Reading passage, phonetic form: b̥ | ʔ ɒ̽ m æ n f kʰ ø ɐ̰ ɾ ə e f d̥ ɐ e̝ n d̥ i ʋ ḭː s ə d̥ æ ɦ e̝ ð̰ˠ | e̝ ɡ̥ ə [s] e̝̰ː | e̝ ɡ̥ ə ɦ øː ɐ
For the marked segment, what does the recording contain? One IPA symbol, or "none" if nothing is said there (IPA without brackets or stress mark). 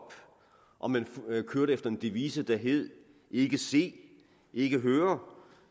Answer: s